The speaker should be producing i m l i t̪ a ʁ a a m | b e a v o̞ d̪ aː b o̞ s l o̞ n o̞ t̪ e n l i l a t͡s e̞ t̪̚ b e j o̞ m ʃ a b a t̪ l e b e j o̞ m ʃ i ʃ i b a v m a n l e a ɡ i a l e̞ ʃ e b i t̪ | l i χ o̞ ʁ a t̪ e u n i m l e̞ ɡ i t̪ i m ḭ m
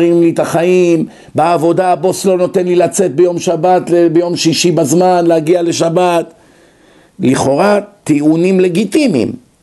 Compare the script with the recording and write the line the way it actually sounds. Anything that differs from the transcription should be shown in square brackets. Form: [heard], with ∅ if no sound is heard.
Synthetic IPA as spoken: i m l i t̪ a [χ] a [i] m | b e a v o̞ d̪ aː b o̞ s l o̞ n o̞ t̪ e n l i l a t͡s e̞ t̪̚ b e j o̞ m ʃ a b a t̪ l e b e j o̞ m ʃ i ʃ i b a [z] m a n l e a ɡ i a l e̞ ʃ [a] b [a] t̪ | l i χ o̞ ʁ a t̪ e u n i m l e̞ ɡ i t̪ i m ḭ m